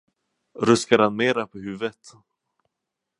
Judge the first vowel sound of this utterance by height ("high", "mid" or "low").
mid